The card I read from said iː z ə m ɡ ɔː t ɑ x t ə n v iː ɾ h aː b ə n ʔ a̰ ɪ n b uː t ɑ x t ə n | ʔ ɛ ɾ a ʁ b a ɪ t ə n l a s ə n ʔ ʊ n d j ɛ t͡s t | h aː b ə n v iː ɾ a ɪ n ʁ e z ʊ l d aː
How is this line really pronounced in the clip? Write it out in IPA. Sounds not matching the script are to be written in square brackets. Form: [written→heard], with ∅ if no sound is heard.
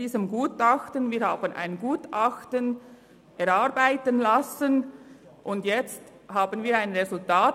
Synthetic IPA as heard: iː z ə m ɡ [ɔː→uː] t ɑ x t ə n v iː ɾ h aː b ə n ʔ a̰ ɪ n [b→ɡ] uː t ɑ x t ə n | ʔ ɛ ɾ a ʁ b a ɪ t ə n l a s ə n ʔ ʊ n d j ɛ t͡s t | h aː b ə n v iː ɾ a ɪ n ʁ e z ʊ l [d→t] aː